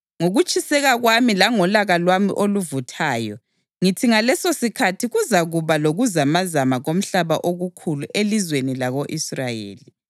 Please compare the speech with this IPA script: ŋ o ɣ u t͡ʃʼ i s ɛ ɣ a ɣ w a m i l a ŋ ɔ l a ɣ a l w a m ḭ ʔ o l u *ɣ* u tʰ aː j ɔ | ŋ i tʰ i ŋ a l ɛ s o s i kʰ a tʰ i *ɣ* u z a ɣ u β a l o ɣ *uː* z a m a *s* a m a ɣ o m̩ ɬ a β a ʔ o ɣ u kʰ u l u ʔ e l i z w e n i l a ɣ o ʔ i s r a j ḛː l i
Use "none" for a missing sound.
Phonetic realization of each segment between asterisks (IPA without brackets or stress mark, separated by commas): v, ɣ, u, z